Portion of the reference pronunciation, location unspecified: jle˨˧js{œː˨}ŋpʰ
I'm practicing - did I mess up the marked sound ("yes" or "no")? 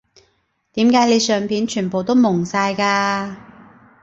no